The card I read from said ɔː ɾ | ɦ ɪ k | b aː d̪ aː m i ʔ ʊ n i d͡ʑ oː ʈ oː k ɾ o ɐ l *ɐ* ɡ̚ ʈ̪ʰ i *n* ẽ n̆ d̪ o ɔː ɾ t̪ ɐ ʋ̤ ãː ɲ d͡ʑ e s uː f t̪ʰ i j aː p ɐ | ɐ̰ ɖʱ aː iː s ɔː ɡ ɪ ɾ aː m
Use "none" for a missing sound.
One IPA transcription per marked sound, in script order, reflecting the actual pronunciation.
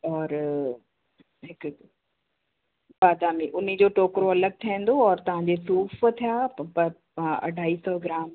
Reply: ə, none

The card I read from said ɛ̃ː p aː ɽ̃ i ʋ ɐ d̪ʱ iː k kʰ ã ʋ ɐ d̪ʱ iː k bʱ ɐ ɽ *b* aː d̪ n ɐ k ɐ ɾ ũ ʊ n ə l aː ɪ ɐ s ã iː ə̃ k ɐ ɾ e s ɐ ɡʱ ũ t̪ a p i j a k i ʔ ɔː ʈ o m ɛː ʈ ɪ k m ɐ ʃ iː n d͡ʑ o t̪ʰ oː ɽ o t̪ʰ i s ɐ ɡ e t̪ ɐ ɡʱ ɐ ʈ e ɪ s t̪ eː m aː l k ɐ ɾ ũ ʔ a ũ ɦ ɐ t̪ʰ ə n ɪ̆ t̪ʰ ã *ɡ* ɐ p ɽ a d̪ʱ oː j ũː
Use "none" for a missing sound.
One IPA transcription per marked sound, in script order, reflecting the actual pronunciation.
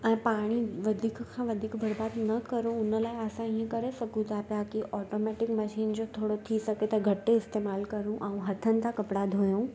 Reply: b, k

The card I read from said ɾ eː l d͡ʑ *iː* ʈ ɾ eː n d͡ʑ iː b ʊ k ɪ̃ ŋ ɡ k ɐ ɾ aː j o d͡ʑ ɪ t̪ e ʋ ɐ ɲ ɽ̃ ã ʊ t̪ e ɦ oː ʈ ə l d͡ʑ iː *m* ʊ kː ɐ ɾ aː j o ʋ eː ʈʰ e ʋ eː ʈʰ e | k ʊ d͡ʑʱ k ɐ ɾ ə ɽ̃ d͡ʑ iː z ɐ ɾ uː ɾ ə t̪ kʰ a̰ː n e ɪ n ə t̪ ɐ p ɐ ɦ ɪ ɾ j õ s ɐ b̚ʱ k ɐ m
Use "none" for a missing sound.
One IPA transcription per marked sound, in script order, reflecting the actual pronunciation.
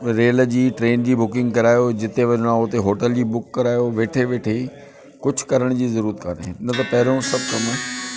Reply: iː, b

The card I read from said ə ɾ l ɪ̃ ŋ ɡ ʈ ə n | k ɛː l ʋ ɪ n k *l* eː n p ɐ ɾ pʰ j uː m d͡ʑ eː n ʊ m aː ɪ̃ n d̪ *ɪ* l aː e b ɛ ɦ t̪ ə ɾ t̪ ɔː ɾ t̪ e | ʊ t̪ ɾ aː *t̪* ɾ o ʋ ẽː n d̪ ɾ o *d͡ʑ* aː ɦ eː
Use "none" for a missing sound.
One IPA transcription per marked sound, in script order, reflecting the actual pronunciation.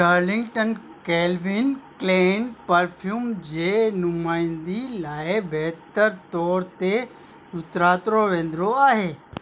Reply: l, i, t̪, none

